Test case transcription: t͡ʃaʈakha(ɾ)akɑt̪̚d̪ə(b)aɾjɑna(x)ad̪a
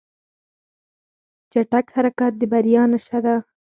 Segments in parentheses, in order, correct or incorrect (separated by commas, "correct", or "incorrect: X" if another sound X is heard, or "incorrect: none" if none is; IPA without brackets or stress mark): correct, correct, incorrect: ʃ